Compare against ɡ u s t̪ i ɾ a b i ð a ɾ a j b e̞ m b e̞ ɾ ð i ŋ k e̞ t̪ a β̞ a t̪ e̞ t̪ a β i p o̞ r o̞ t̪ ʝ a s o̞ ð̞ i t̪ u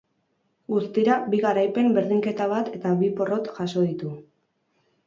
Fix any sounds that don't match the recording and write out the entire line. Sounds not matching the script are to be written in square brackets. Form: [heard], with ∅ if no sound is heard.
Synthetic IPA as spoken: ɡ u s t̪ i ɾ a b i [ɣ] a ɾ a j [p] e̞ m b e̞ ɾ ð i ŋ k e̞ t̪ a β̞ a t̪ e̞ t̪ a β i p o̞ r o̞ t̪ ʝ a s o̞ ð̞ i t̪ u

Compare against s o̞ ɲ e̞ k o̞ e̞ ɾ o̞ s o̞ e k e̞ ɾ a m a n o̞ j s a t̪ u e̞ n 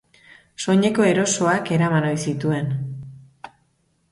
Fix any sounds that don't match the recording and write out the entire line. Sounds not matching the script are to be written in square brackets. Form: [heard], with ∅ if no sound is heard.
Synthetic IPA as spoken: s o̞ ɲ e̞ k o̞ e̞ ɾ o̞ s o̞ [a] k e̞ ɾ a m a n o̞ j s [i] t̪ u e̞ n

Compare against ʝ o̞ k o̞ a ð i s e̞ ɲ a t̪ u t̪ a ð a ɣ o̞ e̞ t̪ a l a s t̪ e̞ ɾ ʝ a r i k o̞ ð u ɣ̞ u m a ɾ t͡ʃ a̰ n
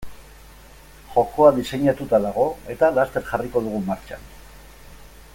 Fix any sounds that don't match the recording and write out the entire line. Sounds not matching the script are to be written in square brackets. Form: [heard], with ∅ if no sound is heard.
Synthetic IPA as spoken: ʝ o̞ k o̞ a ð i s e̞ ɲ a t̪ u t̪ a ð a ɣ o̞ e̞ t̪ a l a s t̪ e̞ ɾ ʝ a r i k o̞ ð u ɣ̞ u m a ɾ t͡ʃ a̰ n

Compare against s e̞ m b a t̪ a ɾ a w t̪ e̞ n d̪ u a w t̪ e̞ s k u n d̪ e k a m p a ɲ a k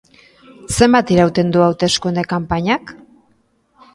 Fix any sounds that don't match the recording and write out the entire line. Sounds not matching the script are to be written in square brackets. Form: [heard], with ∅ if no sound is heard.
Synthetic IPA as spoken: s e̞ m b a t̪ [i] ɾ a w t̪ e̞ n d̪ u a w t̪ e̞ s k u n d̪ e k a m p a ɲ a k

